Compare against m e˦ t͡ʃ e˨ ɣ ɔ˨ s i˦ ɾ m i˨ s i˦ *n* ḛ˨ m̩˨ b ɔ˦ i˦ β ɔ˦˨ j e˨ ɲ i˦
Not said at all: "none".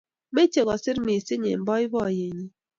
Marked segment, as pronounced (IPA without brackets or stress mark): ɲ